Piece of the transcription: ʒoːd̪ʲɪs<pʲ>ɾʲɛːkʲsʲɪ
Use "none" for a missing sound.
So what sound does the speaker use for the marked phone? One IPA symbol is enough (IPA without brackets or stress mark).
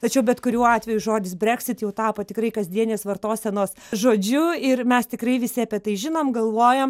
bʲ